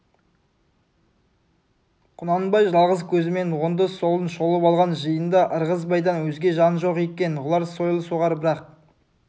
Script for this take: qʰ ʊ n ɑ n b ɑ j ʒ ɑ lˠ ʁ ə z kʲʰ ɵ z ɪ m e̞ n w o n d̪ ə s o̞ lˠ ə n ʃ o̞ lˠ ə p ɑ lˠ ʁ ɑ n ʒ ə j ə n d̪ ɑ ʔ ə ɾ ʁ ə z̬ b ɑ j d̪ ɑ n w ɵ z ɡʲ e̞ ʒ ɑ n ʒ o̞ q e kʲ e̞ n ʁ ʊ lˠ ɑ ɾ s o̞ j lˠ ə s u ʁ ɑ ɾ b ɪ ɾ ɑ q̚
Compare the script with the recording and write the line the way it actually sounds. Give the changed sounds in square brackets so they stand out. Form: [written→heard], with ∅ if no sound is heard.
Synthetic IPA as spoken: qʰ ʊ n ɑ n b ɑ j ʒ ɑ lˠ ʁ ə z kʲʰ ɵ z ɪ m e̞ n w o n d̪ ə s o̞ lˠ ə n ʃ o̞ lˠ ə p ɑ lˠ ʁ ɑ n ʒ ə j ə n d̪ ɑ ʔ ə ɾ ʁ ə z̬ b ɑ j d̪ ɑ n w ɵ z ɡʲ e̞ ʒ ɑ n ʒ o̞ q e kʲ e̞ n ʁ ʊ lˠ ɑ ɾ s o̞ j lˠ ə s u ʁ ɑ ɾ b ɪ ɾ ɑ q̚